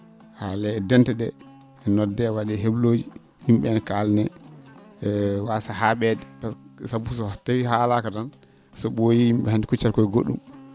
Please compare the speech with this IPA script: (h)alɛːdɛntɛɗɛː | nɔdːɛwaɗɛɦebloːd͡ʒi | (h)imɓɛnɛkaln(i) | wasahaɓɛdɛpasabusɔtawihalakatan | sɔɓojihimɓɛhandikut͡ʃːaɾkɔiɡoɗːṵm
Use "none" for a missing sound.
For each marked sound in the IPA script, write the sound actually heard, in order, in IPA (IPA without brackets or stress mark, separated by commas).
h, h, ɛ